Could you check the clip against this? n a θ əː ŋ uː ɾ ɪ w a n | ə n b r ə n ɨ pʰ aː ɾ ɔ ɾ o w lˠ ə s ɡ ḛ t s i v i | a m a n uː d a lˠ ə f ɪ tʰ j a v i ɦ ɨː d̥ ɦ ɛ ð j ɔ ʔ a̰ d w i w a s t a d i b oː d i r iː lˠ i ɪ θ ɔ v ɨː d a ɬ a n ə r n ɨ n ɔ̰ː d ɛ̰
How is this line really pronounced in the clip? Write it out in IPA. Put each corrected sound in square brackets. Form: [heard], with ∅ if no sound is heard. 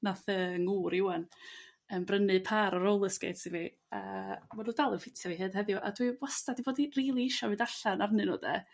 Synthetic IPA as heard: n a θ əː ŋ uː ɾ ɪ w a n | ə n b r ə n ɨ pʰ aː ɾ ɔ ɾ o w lˠ ə s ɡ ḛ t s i v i | a m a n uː d a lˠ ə f ɪ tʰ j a v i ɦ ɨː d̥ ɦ ɛ ð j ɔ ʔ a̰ d w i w a s t a d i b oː d i r iː lˠ i ɪ [ʃ] ɔ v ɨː d a ɬ a n [a] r n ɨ n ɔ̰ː d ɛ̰

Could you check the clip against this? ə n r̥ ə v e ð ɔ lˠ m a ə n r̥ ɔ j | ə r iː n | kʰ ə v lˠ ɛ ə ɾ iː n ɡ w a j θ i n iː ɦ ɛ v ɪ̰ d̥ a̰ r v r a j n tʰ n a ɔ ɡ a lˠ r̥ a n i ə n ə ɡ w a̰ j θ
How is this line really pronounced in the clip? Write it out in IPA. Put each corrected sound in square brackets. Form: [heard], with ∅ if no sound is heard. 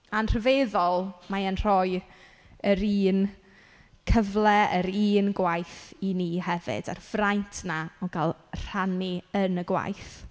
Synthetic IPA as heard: [a] n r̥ ə v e ð ɔ lˠ m a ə n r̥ ɔ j | ə [ɾ] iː n | kʰ ə v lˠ ɛ ə ɾ iː n ɡ w a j θ i n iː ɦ ɛ v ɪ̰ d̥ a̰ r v r a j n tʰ n a ɔ ɡ a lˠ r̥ a n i ə n ə ɡ w a̰ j θ

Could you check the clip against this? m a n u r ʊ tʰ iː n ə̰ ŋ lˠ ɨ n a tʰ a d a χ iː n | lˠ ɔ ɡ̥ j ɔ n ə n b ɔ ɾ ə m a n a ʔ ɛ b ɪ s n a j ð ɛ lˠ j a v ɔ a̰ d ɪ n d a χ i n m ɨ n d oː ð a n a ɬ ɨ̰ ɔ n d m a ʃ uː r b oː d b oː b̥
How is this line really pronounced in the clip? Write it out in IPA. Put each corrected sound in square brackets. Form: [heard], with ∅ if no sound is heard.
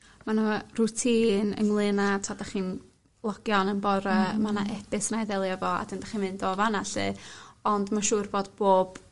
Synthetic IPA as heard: m a n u r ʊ tʰ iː n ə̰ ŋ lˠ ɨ n a tʰ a d a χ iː n | lˠ ɔ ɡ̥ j ɔ n ə n b ɔ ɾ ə m a n a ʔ ɛ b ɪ s n a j ð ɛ lˠ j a v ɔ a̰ d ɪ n d a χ i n m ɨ n d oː [v] a n a ɬ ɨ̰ ɔ n d m a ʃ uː r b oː d b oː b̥

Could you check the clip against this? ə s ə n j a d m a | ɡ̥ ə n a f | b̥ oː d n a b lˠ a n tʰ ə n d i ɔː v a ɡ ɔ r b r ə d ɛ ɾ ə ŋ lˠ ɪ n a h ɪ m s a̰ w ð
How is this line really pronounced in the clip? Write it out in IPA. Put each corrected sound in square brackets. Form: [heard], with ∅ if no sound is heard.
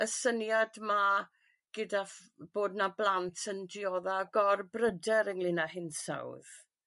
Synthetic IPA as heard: ə s ə n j a d m a | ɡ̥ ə [d] a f | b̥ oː d n a b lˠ a n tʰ ə n d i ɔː [ð] a ɡ ɔ r b r ə d ɛ ɾ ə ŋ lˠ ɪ n a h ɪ [n] s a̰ w ð

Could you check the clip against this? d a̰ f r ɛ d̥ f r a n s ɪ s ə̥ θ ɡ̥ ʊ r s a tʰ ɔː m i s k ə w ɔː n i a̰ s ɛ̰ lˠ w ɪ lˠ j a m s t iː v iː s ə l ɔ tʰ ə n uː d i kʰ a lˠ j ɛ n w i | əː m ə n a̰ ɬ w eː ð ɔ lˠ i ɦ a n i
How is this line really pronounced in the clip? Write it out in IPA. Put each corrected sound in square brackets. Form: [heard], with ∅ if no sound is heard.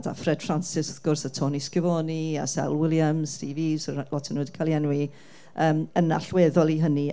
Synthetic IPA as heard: d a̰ f r ɛ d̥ f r a n s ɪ s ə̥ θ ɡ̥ ʊ r s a tʰ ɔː [n] i s k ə [v] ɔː n i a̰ s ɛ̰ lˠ w ɪ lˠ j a m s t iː v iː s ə l ɔ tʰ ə n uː d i kʰ a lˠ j ɛ n w i | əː m ə n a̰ ɬ w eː ð ɔ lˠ i ɦ [ə] n i

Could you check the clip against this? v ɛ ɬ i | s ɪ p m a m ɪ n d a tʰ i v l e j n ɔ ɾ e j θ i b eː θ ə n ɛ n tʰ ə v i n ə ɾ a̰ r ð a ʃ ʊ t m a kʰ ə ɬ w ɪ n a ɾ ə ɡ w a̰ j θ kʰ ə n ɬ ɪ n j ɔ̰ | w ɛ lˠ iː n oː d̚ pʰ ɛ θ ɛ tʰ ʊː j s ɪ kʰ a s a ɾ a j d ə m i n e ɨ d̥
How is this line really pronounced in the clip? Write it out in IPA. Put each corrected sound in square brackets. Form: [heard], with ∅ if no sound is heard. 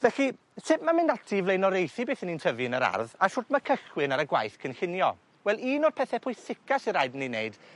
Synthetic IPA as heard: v ɛ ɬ i | s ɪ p m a m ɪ n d a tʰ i v l e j n ɔ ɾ e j θ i b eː θ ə n [i] n tʰ ə v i n ə ɾ a̰ r ð a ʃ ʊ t m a kʰ ə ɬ w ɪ n a ɾ ə ɡ w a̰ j θ kʰ ə n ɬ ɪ n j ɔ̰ | w ɛ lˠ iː n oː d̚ pʰ ɛ θ ɛ [pʰ] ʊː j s ɪ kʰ a s [i] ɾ a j d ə [n] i n e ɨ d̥

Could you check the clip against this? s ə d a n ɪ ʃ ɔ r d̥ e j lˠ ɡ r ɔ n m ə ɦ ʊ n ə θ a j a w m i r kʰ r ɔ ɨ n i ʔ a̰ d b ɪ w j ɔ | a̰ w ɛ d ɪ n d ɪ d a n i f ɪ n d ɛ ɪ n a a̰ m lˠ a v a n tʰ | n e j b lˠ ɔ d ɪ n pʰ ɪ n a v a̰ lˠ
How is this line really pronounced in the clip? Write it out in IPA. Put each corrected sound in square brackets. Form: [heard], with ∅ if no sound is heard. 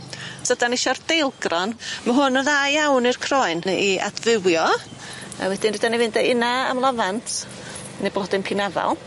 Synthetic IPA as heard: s ə d a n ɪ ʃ ɔ r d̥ e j lˠ ɡ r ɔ n m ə ɦ ʊ n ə [ð] a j a w [n] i r kʰ r ɔ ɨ n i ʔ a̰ d [v] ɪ w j ɔ | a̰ w ɛ d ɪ n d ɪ d a n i [v] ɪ n d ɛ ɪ n a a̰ m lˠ a v a n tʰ | n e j b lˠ ɔ d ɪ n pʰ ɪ n a v a̰ lˠ

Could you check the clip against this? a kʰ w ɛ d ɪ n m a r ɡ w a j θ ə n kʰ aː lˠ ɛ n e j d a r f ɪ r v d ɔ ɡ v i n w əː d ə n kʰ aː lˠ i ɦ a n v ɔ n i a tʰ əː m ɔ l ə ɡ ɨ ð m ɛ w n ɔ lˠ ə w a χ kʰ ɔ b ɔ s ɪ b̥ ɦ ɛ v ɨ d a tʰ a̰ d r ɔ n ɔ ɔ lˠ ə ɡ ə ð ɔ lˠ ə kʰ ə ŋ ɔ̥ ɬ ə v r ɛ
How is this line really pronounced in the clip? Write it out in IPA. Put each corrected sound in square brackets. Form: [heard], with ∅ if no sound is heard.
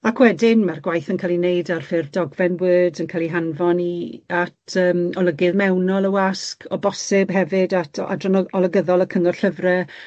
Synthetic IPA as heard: a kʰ w ɛ d ɪ n m a r ɡ w a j θ ə n kʰ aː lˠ [i] n e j d a r f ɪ r v d ɔ ɡ v [ɛ] n w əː d ə n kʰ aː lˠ i ɦ a n v ɔ n i a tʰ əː m ɔ l ə ɡ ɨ ð m ɛ w n ɔ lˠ ə w a [s] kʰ ɔ b ɔ s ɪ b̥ ɦ ɛ v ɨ d a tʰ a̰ d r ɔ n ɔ ɔ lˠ ə ɡ ə ð ɔ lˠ ə kʰ ə ŋ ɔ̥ ɬ ə v r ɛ

